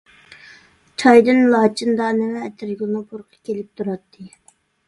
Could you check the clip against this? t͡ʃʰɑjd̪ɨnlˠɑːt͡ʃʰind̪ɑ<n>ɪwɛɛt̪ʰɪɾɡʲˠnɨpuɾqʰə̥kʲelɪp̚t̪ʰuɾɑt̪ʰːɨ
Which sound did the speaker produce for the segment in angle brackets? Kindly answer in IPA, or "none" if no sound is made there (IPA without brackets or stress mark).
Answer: n